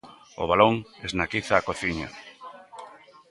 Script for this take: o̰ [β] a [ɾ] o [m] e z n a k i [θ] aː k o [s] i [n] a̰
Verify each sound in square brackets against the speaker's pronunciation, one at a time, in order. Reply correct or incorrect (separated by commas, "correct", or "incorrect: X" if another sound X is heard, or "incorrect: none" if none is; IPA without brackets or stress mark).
correct, incorrect: l, incorrect: ŋ, correct, incorrect: θ, incorrect: ɲ